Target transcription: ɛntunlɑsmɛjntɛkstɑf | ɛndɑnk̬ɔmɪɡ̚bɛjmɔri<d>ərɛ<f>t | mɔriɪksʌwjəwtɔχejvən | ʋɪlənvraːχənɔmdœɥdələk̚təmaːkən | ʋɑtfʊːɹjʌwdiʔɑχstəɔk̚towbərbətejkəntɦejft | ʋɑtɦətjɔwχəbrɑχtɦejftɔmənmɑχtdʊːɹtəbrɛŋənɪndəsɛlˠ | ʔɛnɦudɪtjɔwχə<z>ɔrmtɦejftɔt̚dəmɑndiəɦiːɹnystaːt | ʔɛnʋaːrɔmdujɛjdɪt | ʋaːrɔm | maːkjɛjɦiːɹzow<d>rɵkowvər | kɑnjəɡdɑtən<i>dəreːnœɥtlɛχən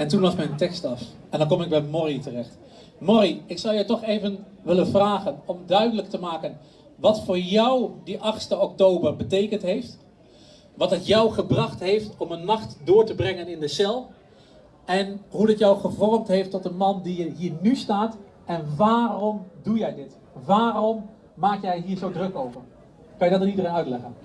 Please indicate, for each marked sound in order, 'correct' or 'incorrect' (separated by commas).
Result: incorrect, incorrect, incorrect, correct, correct